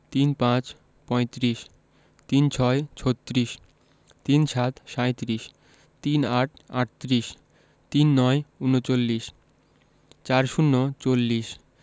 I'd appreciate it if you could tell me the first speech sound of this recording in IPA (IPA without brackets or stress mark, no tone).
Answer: t̪